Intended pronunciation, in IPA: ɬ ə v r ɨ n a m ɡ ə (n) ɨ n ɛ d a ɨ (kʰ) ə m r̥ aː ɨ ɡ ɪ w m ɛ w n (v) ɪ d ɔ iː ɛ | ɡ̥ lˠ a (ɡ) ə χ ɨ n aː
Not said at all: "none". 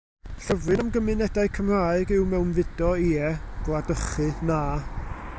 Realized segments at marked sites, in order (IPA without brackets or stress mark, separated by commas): m, kʰ, v, d